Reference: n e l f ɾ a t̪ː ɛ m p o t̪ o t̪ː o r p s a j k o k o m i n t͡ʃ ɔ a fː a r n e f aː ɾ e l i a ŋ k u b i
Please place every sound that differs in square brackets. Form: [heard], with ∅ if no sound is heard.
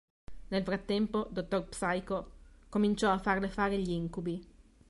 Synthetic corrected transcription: n e l f ɾ a t̪ː ɛ m p o [d̪] o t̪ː o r p s a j k o k o m i n t͡ʃ ɔ a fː a r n e f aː ɾ e [ʎ] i [i] ŋ k u b i

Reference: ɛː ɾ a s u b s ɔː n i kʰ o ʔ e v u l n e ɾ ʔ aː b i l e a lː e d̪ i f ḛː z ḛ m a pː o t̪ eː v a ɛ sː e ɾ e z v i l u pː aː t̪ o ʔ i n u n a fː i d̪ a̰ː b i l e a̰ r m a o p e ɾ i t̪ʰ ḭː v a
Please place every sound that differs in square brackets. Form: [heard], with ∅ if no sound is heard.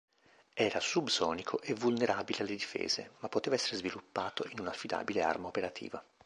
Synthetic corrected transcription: ɛː ɾ a s u b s ɔː n i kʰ o ʔ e v u l n e ɾ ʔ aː b i l e a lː e d̪ i f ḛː z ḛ m a pː o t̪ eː v a ɛ sː e ɾ e z v i l u pː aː t̪ o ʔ i n u n a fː i d̪ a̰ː b i l e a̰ r m a o p e ɾ [a] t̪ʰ ḭː v a

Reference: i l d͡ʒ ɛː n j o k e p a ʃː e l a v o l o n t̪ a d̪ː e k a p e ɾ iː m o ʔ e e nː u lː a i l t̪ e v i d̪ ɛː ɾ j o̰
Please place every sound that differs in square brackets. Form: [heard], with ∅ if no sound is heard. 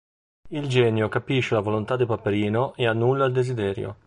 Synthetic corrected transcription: i l d͡ʒ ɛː n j o k [a] p [i] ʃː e l a v o l o n t̪ a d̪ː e [p] a p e ɾ iː [n] o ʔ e [a] nː u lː a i l [d̪] e [z] i d̪ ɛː ɾ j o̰

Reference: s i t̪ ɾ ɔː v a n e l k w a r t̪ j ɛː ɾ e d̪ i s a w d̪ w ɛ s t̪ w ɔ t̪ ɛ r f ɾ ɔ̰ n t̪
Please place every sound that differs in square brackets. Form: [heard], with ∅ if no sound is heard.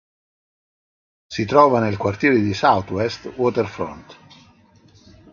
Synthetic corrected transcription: s i t̪ ɾ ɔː v a n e l k w a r t̪ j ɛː ɾ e d̪ i s a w [t̪] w ɛ s t̪ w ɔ t̪ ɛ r f ɾ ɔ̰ n t̪

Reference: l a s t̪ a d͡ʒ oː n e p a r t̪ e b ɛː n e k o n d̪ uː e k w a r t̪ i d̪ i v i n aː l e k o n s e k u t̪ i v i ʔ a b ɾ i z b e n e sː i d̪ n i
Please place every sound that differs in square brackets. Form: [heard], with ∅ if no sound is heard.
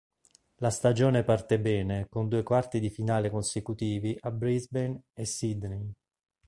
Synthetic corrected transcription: l a s t̪ a d͡ʒ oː n e p a r t̪ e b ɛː n e k o n d̪ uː e k w a r t̪ i d̪ i [f] i n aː l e k o n s e k u t̪ [iː] v i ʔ a b ɾ i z b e n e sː i d̪ n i

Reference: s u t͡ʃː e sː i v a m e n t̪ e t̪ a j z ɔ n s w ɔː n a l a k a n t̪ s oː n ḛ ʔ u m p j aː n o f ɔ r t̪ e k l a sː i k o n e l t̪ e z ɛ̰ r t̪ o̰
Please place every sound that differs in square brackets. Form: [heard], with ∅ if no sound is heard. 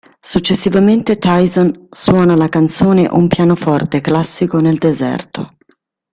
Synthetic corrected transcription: s u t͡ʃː e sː i v a m e n t̪ e t̪ a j z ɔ n s w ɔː n a l a k a n t̪ s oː n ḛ ʔ u m p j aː n o f ɔ r t̪ e k l a sː i k o n e l [d̪] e z ɛ̰ r t̪ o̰

